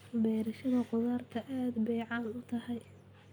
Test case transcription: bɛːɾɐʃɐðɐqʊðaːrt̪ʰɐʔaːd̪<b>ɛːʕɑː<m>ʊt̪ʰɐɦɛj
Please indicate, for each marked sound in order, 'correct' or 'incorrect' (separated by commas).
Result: correct, incorrect